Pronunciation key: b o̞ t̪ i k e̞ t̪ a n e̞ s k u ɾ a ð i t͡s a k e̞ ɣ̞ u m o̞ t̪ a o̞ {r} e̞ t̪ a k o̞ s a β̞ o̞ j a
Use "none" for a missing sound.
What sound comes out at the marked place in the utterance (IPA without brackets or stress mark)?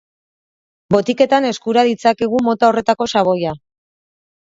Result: r